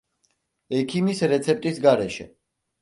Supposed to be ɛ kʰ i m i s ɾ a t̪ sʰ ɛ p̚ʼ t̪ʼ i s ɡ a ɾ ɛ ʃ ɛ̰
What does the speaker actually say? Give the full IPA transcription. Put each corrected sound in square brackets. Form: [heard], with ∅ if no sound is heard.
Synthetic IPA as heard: ɛ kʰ i m i s ɾ [ɛ] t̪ sʰ ɛ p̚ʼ t̪ʼ i s ɡ a ɾ ɛ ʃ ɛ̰